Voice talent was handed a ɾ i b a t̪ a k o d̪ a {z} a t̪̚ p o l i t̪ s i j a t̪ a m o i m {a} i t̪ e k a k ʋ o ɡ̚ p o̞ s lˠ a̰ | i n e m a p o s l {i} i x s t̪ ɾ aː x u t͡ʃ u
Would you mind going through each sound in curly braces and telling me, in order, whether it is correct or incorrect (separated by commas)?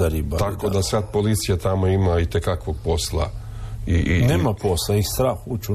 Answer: incorrect, correct, incorrect